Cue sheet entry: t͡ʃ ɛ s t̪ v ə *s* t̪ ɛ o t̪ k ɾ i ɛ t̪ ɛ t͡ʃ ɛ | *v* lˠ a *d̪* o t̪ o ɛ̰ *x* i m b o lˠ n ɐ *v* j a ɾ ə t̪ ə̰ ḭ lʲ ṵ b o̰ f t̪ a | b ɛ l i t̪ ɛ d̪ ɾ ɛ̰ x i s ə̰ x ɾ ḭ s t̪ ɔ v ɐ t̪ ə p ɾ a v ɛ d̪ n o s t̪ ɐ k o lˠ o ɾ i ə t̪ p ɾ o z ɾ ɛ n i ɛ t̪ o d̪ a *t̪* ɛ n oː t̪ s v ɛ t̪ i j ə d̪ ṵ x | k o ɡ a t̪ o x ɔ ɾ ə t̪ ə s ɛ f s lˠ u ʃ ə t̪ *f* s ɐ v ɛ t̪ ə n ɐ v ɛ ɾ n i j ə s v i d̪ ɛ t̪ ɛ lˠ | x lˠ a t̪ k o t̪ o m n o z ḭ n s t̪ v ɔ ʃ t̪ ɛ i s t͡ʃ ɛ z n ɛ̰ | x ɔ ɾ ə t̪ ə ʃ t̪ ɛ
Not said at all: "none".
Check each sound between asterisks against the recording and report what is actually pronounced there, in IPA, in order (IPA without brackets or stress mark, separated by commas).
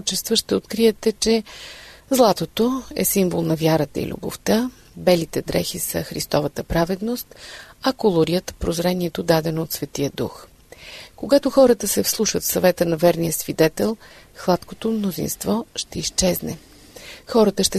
ʃ, z, t̪, s, v, d̪, f